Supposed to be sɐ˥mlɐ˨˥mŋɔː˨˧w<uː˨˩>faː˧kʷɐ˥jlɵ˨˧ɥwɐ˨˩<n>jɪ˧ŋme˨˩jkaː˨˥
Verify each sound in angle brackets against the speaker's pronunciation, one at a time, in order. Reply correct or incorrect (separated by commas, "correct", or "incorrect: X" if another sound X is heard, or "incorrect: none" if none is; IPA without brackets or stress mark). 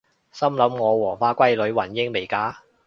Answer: incorrect: ɔː˨˩, correct